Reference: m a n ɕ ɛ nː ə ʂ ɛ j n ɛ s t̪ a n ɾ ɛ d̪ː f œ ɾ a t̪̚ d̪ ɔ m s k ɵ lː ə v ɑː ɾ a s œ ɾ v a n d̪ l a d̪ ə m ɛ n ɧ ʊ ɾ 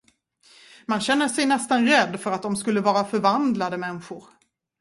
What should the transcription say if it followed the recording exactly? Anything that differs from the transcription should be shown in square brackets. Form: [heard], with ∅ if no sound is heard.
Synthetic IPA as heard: m a n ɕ ɛ nː ə ʂ ɛ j n ɛ s t̪ a n ɾ ɛ d̪ː f œ ɾ a t̪̚ d̪ ɔ m s k ɵ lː ə v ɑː ɾ a [f] œ ɾ v a n d̪ l a d̪ ə m ɛ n ɧ ʊ ɾ